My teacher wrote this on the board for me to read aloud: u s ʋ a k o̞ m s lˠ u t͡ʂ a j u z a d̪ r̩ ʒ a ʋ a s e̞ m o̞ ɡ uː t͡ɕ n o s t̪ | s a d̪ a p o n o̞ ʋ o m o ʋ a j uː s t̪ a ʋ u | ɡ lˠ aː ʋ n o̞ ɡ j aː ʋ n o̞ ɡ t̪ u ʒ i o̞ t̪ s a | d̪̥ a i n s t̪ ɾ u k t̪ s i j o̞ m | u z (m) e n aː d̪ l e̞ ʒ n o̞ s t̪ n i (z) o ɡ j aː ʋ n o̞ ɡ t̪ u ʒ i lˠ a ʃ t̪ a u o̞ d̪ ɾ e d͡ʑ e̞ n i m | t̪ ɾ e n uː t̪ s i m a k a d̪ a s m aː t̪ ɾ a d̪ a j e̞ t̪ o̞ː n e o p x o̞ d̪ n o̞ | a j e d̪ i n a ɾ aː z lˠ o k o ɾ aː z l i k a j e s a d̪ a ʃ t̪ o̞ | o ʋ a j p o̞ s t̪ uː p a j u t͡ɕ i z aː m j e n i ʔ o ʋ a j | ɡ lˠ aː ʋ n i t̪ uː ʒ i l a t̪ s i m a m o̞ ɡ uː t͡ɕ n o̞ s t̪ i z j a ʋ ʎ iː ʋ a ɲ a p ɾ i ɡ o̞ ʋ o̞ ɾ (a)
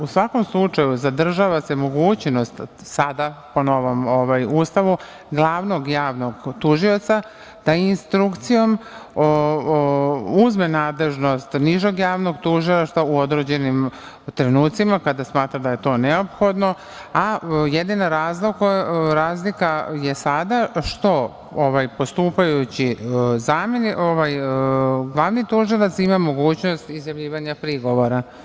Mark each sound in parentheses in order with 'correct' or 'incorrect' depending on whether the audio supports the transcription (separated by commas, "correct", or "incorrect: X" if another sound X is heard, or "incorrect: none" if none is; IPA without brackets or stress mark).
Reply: correct, incorrect: ʒ, correct